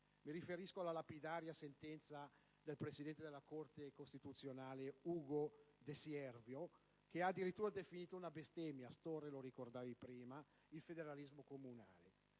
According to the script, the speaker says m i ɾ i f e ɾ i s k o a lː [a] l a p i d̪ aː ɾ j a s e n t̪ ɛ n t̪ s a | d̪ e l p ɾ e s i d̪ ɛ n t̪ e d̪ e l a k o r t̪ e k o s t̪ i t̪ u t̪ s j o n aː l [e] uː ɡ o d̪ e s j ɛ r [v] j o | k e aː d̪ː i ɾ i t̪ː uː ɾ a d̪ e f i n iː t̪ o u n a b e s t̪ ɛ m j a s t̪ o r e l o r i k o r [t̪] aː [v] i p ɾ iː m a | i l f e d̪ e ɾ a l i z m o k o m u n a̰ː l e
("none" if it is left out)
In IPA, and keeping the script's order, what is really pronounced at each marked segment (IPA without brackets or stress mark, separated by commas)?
a, e, v, d̪, v